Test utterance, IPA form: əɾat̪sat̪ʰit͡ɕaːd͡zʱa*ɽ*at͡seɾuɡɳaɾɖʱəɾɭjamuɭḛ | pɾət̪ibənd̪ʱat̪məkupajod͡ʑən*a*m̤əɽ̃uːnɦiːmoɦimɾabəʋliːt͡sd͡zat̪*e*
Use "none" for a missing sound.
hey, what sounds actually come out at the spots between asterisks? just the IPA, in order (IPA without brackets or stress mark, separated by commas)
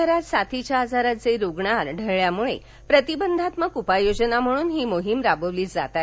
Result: ɾ, a, a